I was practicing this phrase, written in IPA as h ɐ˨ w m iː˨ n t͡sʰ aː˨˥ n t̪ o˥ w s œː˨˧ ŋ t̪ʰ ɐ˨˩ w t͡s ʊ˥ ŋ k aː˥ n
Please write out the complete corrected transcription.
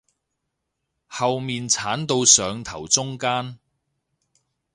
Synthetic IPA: h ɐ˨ w m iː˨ n t͡sʰ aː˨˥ n t̪ o˧ w s œː˨˧ ŋ t̪ʰ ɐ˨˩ w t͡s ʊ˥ ŋ k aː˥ n